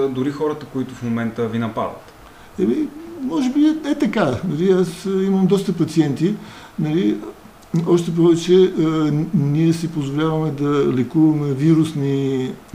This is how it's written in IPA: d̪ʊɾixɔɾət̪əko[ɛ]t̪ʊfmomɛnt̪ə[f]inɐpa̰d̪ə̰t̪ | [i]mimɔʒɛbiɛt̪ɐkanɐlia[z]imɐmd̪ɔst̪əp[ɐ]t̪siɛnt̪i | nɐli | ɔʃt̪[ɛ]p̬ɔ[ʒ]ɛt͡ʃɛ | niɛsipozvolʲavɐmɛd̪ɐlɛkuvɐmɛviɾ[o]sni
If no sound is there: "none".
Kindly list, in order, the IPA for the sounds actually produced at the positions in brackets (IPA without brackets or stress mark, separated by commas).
i, v, ɛ, s, ɐ, ɛ, v, u